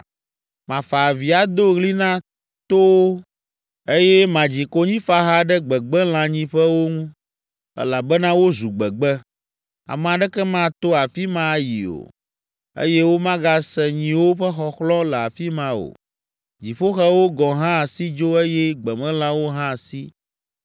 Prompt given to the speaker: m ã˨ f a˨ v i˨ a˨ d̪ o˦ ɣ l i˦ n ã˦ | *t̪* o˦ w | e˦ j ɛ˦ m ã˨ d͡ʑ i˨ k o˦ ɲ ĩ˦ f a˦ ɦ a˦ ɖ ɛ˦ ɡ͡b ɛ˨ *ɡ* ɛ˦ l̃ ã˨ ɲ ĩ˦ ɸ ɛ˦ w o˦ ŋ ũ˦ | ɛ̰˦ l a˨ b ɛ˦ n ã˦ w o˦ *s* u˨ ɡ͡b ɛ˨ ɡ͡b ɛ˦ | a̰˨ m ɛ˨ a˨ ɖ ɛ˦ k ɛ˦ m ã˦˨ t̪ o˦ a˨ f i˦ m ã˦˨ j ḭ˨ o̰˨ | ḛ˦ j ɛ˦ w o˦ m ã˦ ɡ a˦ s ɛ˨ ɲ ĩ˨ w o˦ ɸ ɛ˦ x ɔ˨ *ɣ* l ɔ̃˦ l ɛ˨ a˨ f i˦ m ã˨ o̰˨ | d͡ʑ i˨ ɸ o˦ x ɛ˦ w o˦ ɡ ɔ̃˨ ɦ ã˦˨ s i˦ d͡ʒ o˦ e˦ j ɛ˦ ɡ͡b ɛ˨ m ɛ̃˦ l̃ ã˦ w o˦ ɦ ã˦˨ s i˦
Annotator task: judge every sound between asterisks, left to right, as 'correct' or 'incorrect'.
correct, incorrect: ɡ͡b, incorrect: z, incorrect: x

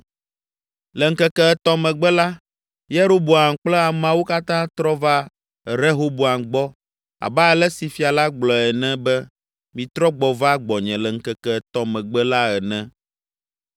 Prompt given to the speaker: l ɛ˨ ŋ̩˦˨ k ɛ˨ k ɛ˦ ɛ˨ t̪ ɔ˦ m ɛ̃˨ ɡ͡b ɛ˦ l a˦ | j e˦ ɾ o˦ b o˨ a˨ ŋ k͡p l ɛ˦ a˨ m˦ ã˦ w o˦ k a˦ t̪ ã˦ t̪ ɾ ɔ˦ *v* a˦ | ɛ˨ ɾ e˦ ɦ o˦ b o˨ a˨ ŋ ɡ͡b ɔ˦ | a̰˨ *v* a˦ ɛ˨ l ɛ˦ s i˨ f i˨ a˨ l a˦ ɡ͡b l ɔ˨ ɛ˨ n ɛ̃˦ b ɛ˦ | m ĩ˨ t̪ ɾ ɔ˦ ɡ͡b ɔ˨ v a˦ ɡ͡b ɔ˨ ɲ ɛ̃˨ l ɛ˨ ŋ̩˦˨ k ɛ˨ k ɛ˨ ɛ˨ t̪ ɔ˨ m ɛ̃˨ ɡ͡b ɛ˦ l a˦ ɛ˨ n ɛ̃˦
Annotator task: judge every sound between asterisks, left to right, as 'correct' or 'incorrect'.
correct, incorrect: b

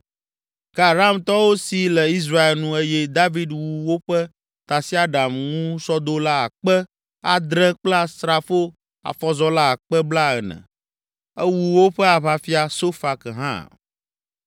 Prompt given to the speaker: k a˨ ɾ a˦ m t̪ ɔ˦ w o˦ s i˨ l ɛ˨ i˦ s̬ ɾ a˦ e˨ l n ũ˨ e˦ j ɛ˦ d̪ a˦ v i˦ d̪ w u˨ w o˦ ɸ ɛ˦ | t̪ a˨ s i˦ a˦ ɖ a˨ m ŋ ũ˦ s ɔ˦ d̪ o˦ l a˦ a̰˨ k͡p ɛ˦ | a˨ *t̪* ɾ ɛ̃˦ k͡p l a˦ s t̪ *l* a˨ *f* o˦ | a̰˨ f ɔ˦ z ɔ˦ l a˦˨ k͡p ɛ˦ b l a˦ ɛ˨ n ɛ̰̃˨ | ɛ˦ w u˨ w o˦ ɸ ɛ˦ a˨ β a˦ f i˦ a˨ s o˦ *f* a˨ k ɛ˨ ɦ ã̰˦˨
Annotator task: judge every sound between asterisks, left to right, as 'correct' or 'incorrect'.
incorrect: d̪, incorrect: ɾ, correct, correct

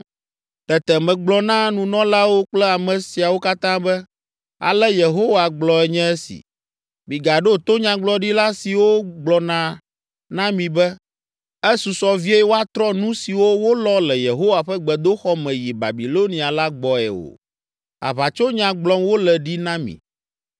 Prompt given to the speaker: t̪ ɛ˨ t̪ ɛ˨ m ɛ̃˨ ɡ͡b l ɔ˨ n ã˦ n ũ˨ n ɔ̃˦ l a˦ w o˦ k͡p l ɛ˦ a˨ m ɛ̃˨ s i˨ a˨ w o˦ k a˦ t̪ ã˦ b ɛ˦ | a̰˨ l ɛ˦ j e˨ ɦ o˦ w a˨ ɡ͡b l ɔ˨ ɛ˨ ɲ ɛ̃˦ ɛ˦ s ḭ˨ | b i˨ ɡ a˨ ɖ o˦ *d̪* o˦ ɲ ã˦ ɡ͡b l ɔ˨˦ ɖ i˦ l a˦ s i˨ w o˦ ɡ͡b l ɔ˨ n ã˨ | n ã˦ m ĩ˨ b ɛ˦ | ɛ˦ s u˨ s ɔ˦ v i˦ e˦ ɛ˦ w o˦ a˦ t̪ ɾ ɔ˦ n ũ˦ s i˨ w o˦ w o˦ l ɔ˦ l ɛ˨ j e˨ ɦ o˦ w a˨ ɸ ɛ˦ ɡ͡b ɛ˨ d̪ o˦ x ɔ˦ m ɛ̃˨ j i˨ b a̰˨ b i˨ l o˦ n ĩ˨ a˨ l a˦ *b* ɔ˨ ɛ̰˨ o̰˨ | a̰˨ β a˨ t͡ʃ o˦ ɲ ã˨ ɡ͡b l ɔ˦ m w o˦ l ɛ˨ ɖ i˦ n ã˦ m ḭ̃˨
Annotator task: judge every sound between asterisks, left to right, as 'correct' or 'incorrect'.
incorrect: t̪, incorrect: ɡ͡b

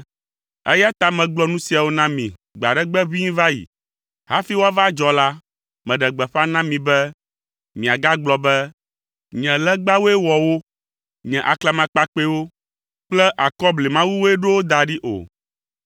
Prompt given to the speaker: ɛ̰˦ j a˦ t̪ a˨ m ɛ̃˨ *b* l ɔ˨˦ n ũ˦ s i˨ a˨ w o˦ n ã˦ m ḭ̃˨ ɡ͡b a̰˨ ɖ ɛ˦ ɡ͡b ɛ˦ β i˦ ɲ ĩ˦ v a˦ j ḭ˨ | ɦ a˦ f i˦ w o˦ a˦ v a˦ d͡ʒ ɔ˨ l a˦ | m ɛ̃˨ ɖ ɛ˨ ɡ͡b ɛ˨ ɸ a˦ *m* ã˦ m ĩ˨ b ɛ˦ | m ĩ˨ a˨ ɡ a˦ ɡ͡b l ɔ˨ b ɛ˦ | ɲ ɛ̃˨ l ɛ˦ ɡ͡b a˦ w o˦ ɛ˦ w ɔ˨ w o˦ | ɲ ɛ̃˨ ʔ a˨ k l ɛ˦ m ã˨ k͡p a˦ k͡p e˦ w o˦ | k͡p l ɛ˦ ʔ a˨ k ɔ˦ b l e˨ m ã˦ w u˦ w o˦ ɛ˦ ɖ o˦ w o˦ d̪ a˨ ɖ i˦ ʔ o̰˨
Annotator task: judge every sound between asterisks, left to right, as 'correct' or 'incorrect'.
incorrect: ɡ͡b, incorrect: n

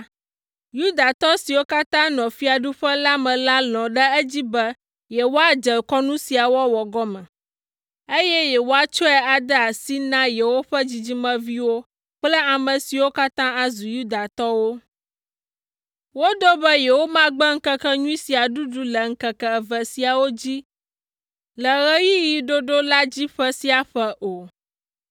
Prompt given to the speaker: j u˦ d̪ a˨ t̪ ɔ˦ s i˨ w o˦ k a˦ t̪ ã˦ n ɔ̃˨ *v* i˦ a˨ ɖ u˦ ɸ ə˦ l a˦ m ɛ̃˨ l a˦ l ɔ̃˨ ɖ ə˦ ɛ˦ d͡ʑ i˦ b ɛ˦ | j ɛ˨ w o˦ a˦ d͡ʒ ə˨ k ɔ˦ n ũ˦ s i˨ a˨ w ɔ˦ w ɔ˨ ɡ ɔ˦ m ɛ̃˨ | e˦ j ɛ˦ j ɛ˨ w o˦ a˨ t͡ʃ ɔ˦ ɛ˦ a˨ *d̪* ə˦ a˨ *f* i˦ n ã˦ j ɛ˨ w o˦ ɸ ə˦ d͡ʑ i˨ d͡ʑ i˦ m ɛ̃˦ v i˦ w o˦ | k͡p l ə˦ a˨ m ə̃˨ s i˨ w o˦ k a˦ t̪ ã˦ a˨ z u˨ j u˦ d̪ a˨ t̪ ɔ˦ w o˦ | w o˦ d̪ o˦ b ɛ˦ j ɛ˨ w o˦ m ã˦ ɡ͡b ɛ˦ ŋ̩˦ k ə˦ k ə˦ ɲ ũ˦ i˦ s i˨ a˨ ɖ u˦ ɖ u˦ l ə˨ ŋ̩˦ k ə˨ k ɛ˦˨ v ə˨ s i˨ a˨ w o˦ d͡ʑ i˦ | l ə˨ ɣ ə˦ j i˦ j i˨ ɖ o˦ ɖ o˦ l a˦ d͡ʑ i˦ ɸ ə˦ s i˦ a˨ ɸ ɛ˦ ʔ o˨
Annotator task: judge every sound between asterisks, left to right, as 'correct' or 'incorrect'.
incorrect: f, correct, incorrect: s

